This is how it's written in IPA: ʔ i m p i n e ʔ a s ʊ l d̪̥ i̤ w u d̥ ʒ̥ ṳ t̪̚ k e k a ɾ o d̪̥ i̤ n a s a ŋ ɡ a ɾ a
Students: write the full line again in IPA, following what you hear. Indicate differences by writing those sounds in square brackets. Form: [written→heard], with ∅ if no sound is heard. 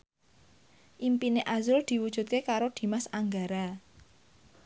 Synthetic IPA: ʔ i m p i n e ʔ a [s→z] ʊ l d̪̥ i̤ w u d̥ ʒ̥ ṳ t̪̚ k e k a ɾ o d̪̥ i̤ [n→m] a s a ŋ ɡ a ɾ a